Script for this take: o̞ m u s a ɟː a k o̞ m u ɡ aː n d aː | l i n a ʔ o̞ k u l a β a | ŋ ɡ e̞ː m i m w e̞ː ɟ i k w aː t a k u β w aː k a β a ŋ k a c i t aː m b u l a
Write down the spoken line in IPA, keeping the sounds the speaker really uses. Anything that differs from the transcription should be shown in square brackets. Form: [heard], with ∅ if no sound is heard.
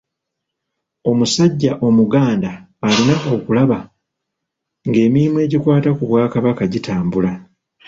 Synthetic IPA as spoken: o̞ m u s a ɟː a [ʔ] o̞ m u ɡ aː n d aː | l i n a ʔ o̞ k u l a β a | ŋ ɡ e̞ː m i m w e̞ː ɟ i k w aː t a k u β w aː k a β a [∅] k a [ɟ] i t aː m b u l a